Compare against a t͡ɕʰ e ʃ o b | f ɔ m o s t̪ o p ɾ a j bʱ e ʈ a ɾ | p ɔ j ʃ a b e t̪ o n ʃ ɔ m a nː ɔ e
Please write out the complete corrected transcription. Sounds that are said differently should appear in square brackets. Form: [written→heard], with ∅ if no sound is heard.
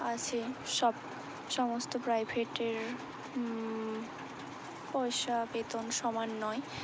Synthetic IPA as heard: a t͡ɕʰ e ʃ [o→ɔ] b | [f→ʃ] ɔ m o s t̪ o p ɾ a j bʱ e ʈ [a→e] ɾ | p ɔ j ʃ a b e t̪ o n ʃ ɔ m a nː ɔ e